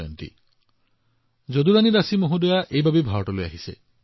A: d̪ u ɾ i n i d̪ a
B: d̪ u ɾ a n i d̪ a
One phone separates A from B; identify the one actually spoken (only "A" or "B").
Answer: B